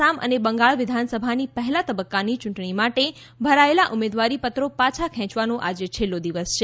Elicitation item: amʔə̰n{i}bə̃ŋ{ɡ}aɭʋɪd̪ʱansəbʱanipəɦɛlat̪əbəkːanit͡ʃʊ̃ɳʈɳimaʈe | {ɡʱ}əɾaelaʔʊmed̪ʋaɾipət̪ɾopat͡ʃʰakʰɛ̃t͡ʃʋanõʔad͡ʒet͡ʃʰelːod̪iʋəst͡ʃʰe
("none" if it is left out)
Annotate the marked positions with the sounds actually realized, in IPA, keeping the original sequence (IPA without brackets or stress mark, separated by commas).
e, ɡ, bʱ